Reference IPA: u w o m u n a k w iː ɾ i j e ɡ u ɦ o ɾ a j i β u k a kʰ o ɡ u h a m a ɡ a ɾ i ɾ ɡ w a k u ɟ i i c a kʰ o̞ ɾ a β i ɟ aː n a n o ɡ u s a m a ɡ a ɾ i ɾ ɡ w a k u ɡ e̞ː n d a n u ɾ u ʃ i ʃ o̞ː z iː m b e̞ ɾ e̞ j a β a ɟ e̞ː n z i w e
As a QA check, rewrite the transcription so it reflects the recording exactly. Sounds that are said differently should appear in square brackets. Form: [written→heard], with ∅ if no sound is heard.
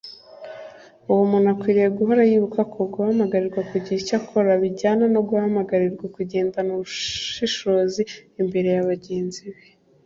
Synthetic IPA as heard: u w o m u n a k w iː ɾ i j e ɡ u ɦ o ɾ a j i β u k a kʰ o ɡ u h a m a ɡ a ɾ i ɾ ɡ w a k u ɟ i i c a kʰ o̞ ɾ a β i ɟ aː n a n o ɡ u [s→h] a m a ɡ a ɾ i ɾ ɡ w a k u [ɡ→ɟ] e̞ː n d a n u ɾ u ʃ i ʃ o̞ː z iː m b e̞ ɾ e̞ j a β a ɟ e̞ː n z i [w→β] e

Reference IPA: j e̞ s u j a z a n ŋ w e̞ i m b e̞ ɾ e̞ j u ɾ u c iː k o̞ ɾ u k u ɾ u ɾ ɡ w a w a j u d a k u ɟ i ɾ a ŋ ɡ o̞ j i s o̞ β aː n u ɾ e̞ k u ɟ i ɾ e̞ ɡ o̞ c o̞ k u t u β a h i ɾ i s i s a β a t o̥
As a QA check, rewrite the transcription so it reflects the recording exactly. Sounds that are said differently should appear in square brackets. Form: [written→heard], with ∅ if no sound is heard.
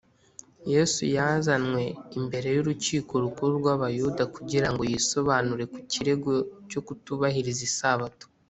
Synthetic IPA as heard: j e̞ s u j a z a n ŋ w e̞ i m b e̞ ɾ e̞ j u ɾ u c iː k o̞ ɾ u k u ɾ u ɾ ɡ w a [w→β] a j u d a k u ɟ i ɾ a ŋ ɡ o̞ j i s o̞ β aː n u ɾ e̞ k u [ɟ→c] i ɾ e̞ ɡ o̞ c o̞ k u t u β a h i ɾ i [s→z] i s a β a t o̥

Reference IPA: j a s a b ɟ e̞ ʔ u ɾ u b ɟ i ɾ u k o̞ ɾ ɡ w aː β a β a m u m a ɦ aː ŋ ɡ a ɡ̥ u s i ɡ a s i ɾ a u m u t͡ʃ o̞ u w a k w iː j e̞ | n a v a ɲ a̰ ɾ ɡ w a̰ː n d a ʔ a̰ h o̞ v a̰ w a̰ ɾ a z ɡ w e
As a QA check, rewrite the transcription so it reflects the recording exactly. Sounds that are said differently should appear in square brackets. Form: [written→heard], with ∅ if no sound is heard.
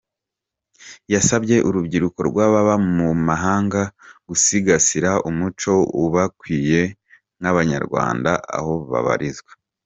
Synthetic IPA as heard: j a s a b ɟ e̞ ʔ u ɾ u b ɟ i ɾ u k o̞ ɾ ɡ w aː β a β a m u m a ɦ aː ŋ ɡ a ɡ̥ u s i ɡ a s i ɾ a u m u t͡ʃ o̞ u [w→β] a k w iː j e̞ | n a [v→β] a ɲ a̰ ɾ ɡ w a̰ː n d a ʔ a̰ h o̞ [v→β] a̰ [w→β] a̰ ɾ [a→i] z ɡ w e

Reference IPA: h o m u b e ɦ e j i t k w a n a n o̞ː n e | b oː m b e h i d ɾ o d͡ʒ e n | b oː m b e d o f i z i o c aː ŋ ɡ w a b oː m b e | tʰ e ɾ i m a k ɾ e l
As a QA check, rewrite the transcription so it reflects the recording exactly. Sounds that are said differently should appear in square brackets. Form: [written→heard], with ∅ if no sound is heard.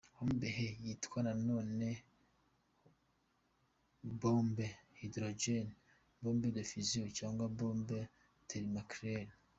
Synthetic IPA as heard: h o m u b e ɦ e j i t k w a n a n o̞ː n e | b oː m b e h i d ɾ o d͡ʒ e n | b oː m b e d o f i z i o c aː ŋ ɡ w a b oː m b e | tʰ e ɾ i m a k ɾ e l

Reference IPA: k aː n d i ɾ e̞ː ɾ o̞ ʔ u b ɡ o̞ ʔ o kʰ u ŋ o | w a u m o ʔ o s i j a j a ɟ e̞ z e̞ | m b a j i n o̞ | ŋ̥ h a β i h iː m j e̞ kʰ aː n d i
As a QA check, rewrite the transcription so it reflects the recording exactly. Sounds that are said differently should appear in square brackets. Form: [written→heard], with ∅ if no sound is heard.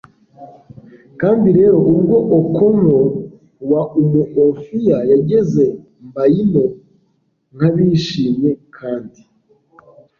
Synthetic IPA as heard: k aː n d i ɾ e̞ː ɾ o̞ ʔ u b ɡ o̞ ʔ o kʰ [u→o] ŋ o | w a u m [o→u] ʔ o [s→f] i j a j a ɟ e̞ z e̞ | m b a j i n o̞ | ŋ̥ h a β i [h→ʃ] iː m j e̞ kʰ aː n d i

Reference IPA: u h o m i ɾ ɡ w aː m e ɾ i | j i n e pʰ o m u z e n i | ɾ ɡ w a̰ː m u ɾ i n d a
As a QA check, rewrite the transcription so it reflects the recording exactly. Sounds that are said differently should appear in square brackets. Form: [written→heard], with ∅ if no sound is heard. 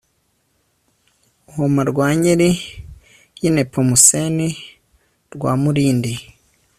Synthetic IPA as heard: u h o m [i→a] ɾ ɡ w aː [m→ɲ] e ɾ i | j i n e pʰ o m u [z→s] e n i | ɾ ɡ w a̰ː m u ɾ [i→iː] n d [a→i]

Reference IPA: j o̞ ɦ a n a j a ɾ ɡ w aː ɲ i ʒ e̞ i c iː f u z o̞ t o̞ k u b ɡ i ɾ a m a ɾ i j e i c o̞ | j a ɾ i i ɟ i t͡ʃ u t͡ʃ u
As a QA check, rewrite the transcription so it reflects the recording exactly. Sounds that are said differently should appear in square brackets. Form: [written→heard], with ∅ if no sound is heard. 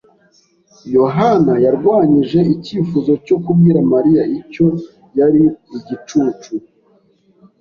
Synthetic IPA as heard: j o̞ ɦ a n a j a ɾ ɡ w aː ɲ i ʒ e̞ i c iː f u z o̞ [t→c] o̞ k u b ɡ i ɾ a m a ɾ i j [e→a] i c o̞ | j a ɾ i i ɟ i t͡ʃ u t͡ʃ u

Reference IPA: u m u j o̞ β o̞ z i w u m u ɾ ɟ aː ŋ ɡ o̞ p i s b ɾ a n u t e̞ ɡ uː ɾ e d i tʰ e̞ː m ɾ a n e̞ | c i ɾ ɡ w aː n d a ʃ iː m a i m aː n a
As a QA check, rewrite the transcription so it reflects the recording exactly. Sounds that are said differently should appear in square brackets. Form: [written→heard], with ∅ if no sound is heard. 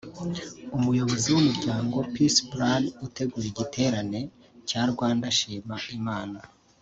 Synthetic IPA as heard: u m u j o̞ β o̞ z i w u m u ɾ ɟ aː ŋ ɡ o̞ p i s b ɾ a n u t e̞ ɡ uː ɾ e [d→ɟ] i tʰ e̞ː [m→∅] ɾ a n e̞ | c [i→a] ɾ ɡ w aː n d a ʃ iː m a i m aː n a

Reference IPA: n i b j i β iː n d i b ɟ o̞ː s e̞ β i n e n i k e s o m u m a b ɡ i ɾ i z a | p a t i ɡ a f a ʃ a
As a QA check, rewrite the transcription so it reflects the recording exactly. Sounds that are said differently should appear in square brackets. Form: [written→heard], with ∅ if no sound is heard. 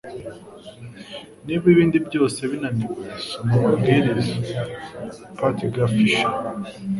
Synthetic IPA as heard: n i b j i β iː n d i b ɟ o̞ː s e̞ β i n [e→a] n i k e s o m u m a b ɡ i ɾ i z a | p a t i ɡ a f [a→i] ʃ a

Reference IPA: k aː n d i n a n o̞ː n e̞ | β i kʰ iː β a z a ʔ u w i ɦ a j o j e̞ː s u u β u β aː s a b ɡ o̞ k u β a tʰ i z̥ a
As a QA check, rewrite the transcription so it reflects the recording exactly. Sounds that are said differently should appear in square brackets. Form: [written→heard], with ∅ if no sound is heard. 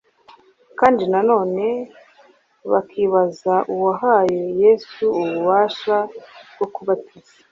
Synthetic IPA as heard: k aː n d i n a n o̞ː n e̞ | β [i→a] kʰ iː β a z a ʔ u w [i→a] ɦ a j o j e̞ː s u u β u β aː [s→ʃ] a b ɡ o̞ k u β a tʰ i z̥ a

